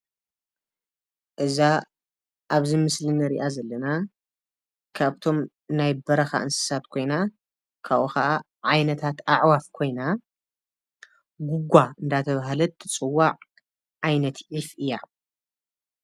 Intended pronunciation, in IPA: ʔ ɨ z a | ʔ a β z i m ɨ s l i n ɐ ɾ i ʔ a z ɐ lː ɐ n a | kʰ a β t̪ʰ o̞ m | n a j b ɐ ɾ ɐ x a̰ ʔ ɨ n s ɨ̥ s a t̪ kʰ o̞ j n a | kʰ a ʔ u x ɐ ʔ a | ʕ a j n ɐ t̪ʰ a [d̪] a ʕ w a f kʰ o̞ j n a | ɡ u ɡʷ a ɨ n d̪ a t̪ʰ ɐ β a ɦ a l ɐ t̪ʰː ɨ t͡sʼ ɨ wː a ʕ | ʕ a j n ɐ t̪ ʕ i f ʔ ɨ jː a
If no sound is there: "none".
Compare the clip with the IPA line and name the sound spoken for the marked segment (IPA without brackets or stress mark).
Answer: t̪